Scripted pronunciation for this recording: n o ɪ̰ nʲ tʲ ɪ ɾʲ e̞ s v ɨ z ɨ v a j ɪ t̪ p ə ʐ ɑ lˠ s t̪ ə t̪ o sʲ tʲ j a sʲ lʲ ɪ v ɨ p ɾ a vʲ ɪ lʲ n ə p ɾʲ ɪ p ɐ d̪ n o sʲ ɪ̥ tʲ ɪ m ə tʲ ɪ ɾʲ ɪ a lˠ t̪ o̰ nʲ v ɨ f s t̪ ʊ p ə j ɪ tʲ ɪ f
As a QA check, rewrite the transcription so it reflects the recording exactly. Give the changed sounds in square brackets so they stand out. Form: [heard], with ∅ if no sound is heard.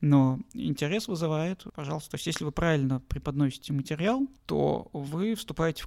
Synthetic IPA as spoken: n o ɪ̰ nʲ tʲ ɪ ɾʲ e̞ s v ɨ z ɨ v a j ɪ t̪ p [ɐ] ʐ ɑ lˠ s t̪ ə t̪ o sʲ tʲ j [e] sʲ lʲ ɪ v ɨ p ɾ a vʲ ɪ lʲ n ə p ɾʲ ɪ p ɐ d̪ n o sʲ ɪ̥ tʲ ɪ m ə tʲ ɪ ɾʲ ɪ a lˠ t̪ o̰ [∅] v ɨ f s t̪ ʊ p [a] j ɪ tʲ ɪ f